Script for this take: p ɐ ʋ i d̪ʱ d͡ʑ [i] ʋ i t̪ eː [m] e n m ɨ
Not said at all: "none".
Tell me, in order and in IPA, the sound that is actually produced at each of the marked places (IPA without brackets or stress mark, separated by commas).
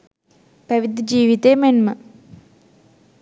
iː, m